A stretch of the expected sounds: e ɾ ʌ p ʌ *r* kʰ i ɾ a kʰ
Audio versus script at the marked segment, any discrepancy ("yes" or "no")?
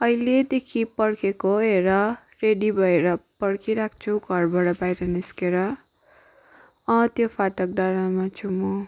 yes